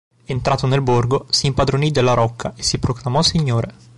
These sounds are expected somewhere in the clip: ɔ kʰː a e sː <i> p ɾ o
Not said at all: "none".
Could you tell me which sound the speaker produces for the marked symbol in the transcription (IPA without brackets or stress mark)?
i